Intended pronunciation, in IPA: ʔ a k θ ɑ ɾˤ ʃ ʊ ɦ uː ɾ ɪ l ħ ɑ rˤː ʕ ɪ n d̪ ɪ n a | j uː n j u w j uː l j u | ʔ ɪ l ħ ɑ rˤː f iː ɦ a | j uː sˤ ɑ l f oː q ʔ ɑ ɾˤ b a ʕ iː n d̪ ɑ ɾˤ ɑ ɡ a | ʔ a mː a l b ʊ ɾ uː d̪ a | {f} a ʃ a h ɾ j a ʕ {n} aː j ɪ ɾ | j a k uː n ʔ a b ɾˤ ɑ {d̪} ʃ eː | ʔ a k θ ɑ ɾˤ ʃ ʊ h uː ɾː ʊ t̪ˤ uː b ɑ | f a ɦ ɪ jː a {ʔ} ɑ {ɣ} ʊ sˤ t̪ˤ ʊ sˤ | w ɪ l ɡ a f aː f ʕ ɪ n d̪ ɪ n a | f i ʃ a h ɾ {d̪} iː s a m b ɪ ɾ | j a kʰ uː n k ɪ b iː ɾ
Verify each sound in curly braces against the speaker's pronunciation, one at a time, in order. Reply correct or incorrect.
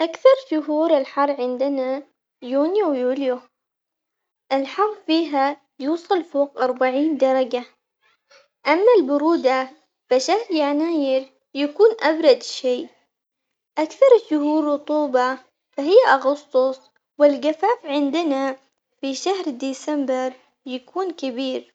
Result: correct, correct, correct, correct, correct, correct

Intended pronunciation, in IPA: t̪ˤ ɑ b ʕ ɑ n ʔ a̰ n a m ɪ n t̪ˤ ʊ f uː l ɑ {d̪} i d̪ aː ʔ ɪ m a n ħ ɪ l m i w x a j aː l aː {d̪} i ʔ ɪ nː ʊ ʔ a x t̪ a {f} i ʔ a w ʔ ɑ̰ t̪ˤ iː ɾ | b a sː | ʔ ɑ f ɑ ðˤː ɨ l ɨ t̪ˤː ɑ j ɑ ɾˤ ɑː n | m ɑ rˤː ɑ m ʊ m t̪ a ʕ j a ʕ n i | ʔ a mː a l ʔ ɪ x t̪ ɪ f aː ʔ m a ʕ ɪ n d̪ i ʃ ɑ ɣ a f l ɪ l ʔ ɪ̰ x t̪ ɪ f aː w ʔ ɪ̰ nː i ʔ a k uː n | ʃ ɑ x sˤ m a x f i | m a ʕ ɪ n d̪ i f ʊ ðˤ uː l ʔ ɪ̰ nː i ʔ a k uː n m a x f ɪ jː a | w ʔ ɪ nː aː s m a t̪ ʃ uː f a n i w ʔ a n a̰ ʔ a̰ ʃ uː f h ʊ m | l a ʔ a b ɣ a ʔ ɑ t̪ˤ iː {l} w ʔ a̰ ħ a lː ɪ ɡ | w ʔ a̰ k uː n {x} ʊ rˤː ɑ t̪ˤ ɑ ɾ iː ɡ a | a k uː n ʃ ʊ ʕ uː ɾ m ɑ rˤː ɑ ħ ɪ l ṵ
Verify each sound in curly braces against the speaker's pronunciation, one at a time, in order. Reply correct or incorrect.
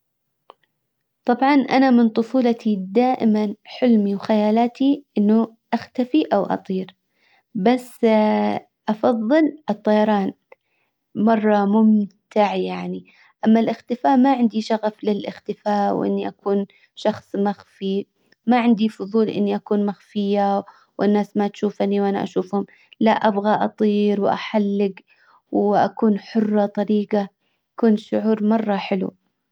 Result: incorrect: t̪, incorrect: t̪, correct, incorrect: ɾ, incorrect: ħ

